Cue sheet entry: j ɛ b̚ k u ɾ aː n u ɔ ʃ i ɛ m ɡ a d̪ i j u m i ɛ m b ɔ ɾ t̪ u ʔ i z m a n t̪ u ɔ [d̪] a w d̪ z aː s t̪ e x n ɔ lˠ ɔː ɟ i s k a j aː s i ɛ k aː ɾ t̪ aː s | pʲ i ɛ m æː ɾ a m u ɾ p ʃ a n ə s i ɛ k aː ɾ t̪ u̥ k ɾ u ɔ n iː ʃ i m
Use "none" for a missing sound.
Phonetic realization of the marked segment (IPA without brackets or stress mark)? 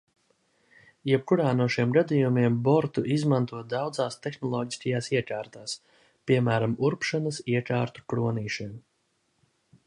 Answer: d̪